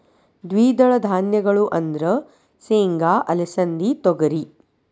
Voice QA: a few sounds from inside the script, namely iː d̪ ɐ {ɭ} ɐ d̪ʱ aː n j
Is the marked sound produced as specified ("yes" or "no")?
yes